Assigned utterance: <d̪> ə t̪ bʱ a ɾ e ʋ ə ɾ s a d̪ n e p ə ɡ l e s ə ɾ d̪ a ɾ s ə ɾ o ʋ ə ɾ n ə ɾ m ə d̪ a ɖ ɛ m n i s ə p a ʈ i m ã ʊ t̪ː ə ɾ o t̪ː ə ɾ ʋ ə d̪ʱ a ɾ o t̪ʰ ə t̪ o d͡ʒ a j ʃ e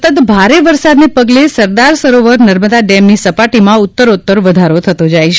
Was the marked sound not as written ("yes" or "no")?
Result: yes